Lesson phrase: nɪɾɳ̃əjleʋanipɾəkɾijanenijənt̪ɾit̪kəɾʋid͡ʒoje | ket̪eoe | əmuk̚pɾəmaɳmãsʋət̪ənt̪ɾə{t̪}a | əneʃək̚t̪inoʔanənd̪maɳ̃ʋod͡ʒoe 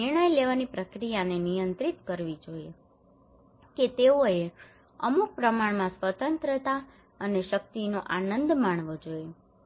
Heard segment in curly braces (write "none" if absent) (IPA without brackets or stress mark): t̪